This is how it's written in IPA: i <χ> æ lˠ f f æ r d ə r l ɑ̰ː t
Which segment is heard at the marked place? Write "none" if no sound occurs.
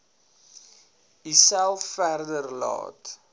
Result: s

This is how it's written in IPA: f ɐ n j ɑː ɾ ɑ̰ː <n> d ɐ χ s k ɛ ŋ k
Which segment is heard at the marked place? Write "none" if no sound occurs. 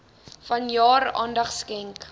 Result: n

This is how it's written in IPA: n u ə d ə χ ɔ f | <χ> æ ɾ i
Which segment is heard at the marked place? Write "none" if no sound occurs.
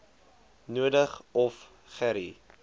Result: χ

